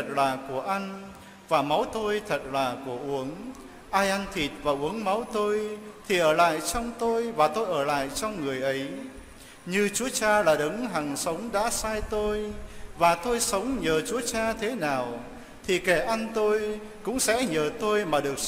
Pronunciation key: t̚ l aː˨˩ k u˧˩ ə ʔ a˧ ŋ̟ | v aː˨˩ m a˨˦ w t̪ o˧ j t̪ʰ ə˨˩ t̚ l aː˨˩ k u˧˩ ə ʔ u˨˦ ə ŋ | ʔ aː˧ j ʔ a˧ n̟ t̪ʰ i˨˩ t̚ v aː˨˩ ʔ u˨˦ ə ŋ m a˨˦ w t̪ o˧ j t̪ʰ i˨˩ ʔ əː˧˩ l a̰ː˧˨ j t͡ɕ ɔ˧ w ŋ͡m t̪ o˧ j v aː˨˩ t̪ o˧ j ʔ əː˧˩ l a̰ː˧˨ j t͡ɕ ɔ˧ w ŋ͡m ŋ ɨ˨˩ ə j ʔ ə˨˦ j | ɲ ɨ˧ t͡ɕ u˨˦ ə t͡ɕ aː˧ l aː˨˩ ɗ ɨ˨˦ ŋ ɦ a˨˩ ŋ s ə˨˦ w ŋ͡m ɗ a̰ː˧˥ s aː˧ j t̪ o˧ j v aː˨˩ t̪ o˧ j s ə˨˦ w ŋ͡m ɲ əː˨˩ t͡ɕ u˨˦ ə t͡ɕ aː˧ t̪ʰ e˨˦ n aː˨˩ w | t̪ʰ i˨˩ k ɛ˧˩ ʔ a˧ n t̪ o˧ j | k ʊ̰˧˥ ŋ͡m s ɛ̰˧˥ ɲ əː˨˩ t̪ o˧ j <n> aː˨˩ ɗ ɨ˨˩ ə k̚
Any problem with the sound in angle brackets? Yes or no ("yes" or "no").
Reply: yes